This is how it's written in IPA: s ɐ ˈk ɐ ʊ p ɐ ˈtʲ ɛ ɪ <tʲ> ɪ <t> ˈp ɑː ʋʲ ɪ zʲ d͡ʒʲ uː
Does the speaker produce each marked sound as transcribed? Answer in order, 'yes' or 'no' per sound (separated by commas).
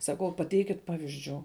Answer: no, yes